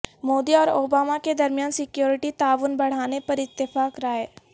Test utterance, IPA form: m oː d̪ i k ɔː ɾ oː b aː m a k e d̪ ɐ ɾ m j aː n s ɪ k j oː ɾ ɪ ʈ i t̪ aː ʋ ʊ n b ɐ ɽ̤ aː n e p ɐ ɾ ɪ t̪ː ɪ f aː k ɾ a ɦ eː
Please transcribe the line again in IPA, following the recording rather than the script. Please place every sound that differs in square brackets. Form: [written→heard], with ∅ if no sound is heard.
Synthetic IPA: m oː d̪ i [k→∅] ɔː ɾ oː b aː m a k e d̪ ɐ ɾ m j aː n s ɪ k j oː ɾ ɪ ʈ i t̪ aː ʋ ʊ n b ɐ ɽ̤ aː n e p ɐ ɾ ɪ t̪ː ɪ f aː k ɾ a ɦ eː